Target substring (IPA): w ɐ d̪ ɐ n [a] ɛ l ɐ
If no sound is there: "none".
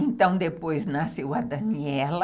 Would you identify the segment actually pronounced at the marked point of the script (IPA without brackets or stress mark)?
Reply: i